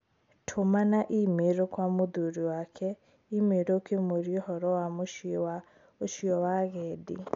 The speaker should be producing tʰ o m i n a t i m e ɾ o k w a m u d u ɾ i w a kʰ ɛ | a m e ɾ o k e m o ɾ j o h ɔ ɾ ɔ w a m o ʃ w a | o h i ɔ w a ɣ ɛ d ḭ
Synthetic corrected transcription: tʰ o m a n a ʔ i m e ɾ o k w a m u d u ɾ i w a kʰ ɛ | i m e ɾ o k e m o ɾ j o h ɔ ɾ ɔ w a m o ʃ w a | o ʃ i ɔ w a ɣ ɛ d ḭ